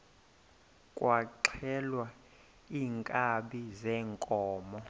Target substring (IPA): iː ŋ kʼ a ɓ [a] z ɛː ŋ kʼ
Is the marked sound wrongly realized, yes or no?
yes